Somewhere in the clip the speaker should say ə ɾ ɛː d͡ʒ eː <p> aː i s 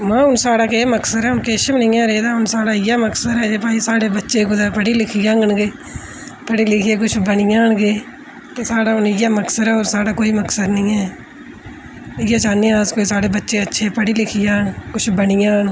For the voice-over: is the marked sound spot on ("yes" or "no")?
yes